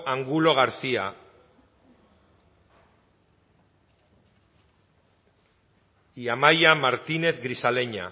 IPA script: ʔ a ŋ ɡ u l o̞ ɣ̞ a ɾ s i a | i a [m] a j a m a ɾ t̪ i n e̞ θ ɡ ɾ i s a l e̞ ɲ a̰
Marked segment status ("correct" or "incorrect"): correct